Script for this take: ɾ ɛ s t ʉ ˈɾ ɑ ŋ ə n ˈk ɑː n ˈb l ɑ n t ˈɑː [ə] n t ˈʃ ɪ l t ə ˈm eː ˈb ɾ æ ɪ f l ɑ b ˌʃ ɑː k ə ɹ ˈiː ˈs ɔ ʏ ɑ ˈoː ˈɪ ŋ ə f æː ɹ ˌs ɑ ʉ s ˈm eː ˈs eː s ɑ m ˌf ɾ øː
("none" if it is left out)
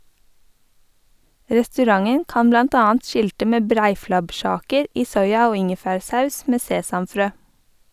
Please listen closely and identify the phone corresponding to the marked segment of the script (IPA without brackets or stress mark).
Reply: ɑ